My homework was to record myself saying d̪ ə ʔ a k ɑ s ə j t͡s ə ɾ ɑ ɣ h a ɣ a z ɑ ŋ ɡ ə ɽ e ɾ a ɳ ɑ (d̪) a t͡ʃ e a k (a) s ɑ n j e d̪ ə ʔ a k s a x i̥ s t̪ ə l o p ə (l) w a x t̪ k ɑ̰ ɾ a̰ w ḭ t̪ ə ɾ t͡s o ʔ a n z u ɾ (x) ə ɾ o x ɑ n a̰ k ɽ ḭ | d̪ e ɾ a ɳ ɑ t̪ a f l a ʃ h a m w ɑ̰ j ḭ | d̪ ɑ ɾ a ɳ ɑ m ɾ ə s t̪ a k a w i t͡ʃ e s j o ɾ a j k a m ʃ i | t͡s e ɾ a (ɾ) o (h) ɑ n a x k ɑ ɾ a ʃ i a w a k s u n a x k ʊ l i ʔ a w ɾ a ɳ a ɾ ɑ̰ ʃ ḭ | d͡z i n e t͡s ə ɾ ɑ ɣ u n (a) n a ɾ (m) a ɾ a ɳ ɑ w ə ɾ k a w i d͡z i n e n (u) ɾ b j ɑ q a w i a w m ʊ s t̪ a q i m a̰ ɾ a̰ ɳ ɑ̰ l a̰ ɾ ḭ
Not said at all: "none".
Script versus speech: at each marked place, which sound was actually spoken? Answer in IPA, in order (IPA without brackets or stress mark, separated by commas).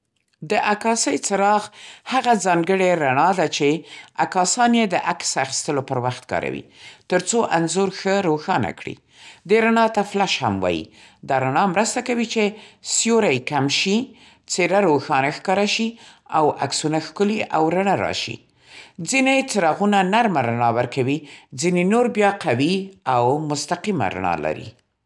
d̪, ɑ, ɾ, x, ɾ, x, a, m, o